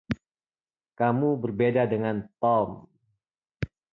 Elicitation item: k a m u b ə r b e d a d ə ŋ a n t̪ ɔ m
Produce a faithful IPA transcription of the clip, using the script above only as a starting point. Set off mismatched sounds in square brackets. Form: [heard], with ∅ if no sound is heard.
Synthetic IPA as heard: k a m u b ə r b e d a d ə ŋ a n t̪ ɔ m